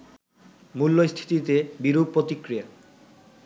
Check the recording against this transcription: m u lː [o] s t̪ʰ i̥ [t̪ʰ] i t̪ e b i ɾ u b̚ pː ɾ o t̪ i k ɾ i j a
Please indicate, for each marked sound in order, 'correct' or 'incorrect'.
correct, incorrect: t̪

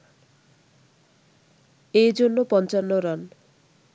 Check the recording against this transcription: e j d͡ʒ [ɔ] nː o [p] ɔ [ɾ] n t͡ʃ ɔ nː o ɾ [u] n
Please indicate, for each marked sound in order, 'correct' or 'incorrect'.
incorrect: o, correct, incorrect: none, incorrect: ɔ

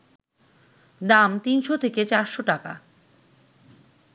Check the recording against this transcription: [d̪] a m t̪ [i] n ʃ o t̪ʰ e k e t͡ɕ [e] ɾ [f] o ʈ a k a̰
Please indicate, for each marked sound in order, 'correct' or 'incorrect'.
correct, correct, incorrect: a, incorrect: ʃ

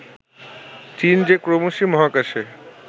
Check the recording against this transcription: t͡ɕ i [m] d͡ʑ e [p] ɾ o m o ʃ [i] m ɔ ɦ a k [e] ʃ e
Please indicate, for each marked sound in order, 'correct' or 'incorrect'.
incorrect: n, incorrect: k, correct, incorrect: a

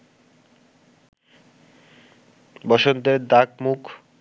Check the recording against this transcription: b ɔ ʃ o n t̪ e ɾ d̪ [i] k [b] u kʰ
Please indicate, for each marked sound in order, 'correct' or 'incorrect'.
incorrect: a, incorrect: m

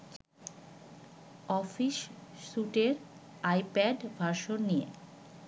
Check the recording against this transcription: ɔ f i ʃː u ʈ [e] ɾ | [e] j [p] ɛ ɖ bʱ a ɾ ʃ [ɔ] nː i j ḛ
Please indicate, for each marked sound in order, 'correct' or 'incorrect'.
correct, incorrect: a, correct, incorrect: o

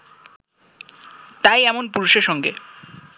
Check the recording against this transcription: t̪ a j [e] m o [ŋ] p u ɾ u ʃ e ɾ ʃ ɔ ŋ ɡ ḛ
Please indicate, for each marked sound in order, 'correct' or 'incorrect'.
incorrect: ɛ, incorrect: n

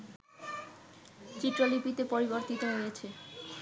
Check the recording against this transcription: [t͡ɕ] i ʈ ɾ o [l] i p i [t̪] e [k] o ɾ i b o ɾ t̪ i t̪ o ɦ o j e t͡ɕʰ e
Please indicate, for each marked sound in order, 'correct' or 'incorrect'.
correct, correct, correct, incorrect: p

